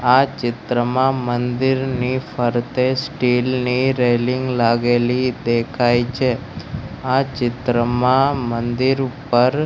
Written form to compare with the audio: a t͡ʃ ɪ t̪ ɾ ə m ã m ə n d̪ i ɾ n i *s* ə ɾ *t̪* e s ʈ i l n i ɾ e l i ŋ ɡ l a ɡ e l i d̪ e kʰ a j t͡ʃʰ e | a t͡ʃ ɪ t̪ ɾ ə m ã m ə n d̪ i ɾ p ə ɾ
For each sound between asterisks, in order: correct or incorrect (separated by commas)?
incorrect, correct